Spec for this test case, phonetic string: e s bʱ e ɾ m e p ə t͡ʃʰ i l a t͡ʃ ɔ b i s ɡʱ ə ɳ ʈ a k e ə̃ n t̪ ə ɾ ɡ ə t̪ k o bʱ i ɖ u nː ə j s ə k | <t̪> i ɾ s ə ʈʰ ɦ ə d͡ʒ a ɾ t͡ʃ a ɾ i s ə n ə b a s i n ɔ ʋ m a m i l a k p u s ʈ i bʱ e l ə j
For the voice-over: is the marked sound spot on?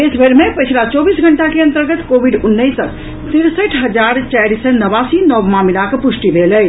yes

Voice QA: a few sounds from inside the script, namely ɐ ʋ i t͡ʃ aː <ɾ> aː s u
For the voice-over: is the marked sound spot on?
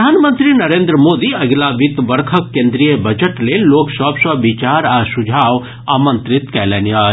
yes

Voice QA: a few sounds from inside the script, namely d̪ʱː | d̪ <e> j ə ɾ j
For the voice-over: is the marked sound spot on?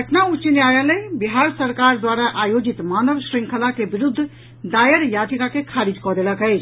no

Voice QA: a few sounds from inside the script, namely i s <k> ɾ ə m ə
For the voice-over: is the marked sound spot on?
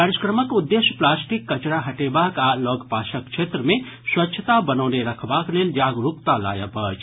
yes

